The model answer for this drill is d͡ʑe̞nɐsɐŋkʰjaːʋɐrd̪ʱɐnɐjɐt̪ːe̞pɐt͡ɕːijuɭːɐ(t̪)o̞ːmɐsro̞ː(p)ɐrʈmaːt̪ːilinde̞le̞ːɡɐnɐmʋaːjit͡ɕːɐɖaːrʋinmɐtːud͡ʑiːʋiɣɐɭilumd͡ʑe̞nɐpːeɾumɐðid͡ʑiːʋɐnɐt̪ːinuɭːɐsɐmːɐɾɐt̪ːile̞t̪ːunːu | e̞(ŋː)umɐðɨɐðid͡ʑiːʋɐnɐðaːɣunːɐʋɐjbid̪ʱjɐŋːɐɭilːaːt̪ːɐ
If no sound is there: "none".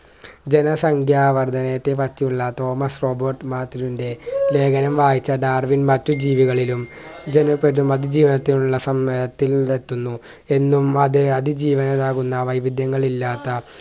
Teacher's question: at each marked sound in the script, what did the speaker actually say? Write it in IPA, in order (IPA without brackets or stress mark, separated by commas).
t̪, b, nː